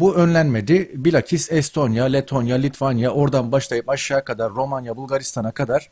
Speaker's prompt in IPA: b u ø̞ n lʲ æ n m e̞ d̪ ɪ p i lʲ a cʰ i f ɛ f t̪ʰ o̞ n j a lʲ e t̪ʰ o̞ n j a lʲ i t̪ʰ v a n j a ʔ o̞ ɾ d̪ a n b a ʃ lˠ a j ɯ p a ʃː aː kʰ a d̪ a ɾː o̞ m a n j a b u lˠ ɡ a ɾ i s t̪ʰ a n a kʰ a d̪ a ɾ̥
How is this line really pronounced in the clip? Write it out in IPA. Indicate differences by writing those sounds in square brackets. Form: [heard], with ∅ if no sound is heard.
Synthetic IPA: b u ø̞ n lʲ æ n m e̞ d̪ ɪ [b] i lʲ a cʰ i [s] ɛ [s] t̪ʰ o̞ n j a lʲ e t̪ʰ o̞ n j a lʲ i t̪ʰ v a n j a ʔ o̞ ɾ d̪ a n b a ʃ lˠ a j ɯ p a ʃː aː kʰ a d̪ a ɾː o̞ m a n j a b u lˠ ɡ a ɾ i s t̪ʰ a n a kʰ a d̪ a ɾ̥